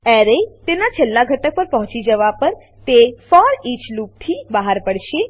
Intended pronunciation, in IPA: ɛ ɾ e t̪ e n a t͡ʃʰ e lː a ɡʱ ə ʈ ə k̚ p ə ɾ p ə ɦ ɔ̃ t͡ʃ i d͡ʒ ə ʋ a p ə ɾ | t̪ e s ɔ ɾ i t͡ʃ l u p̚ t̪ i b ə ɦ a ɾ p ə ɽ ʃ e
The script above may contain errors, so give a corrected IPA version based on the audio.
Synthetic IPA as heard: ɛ ɾ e t̪ e n a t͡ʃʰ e lː a ɡʱ ə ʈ ə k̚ p ə ɾ p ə ɦ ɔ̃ t͡ʃ i d͡ʒ ə ʋ a p ə ɾ | t̪ e f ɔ ɾ i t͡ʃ l u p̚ t̪ʰ i b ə ɦ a ɾ p ə ɽ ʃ e